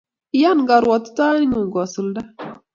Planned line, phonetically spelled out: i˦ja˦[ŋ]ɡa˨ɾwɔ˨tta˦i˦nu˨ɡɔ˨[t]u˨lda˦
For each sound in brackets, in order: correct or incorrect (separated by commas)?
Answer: incorrect, incorrect